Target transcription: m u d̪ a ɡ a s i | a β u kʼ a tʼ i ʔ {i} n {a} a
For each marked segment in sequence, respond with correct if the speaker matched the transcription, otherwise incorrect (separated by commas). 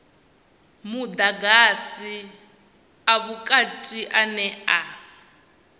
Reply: incorrect, incorrect